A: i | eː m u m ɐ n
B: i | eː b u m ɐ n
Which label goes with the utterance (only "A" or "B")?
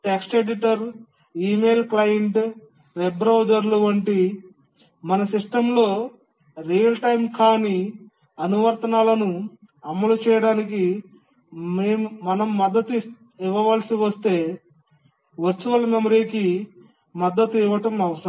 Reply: A